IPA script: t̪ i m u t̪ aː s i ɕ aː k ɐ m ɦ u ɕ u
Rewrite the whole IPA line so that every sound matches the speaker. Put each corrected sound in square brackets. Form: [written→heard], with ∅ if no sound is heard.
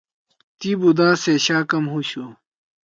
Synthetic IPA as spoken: t̪ i [m→b] u [t̪→d̪] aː s [i→e] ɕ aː k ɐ m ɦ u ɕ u